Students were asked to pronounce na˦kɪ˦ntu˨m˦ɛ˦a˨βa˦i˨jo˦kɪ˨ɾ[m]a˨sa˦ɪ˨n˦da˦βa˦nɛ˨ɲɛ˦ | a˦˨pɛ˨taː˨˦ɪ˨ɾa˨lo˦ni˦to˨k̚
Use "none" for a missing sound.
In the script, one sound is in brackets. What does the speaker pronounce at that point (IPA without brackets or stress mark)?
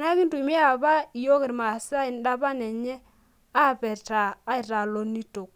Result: m